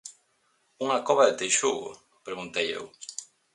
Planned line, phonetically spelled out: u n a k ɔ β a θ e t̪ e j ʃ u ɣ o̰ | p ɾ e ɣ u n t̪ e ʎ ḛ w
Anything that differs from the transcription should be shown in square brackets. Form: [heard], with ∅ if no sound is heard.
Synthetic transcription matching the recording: u [ŋ] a k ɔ β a [ð] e t̪ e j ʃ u ɣ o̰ | p ɾ e ɣ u n t̪ e [j] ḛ w